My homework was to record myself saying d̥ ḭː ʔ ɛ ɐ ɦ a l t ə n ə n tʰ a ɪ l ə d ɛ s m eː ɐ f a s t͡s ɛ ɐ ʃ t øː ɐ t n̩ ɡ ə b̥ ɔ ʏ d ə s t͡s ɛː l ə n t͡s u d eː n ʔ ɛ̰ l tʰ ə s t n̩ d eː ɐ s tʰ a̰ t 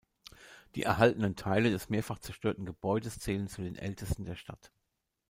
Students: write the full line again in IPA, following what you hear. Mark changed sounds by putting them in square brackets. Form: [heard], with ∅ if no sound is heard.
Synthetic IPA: d̥ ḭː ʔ ɛ ɐ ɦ a l t ə n ə n tʰ a ɪ l ə d ɛ s m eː ɐ f a [χ] t͡s ɛ ɐ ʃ t øː ɐ t n̩ ɡ ə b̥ ɔ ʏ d ə s t͡s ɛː l ə n t͡s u d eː n ʔ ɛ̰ l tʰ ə s t n̩ d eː ɐ [ʃ] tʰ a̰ t